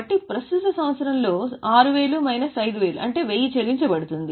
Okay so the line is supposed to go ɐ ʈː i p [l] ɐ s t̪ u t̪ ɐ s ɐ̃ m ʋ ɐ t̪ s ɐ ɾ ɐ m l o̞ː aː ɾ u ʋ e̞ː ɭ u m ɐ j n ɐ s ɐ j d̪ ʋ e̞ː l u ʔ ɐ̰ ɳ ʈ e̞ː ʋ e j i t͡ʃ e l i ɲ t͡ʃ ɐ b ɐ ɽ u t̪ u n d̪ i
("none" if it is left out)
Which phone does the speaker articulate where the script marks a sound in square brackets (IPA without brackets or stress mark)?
ɾ